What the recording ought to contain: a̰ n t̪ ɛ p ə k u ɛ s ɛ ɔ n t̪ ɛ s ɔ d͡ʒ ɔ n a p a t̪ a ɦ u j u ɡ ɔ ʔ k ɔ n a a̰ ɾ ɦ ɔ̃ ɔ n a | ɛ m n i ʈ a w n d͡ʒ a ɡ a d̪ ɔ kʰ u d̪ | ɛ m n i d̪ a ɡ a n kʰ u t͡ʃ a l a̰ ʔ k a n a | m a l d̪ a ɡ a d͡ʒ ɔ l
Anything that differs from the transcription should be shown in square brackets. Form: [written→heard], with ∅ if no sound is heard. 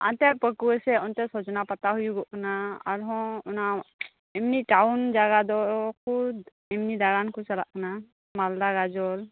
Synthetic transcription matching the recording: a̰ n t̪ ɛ p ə k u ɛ s ɛ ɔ n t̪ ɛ s ɔ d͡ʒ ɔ n a p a t̪ a ɦ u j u ɡ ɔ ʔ k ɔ n a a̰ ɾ ɦ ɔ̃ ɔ n a | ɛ m n i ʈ a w n d͡ʒ a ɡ a d̪ ɔ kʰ u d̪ | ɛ m n i d̪ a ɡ a n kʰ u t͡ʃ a l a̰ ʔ k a n a | m a l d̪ a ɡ a d͡ʒ ɔ l